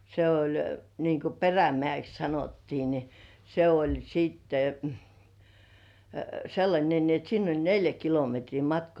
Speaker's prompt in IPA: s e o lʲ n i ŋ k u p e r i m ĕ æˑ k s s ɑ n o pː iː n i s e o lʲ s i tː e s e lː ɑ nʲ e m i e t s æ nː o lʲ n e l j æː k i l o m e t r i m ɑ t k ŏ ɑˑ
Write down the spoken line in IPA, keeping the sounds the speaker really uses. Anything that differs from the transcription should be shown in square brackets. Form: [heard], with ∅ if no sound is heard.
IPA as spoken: s e o lʲ n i ŋ k u p e r [æ] m ĕ æˑ k s s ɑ n o [tː] iː n i s e o lʲ s [iː] tː e s e lː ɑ nʲ e [n] i e t s [i] nː o lʲ n e l j [æ] k i l o m e t r [iː] m ɑ t k ŏ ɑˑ